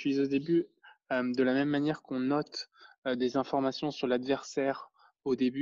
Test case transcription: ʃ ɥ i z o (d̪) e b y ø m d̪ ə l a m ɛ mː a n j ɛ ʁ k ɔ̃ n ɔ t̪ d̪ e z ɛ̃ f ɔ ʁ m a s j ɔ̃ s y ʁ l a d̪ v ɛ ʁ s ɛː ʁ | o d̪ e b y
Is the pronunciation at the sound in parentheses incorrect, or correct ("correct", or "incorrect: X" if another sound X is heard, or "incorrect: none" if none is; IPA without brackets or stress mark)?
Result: correct